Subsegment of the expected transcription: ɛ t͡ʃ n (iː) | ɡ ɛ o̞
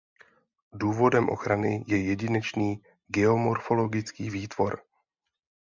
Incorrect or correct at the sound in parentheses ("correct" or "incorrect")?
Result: correct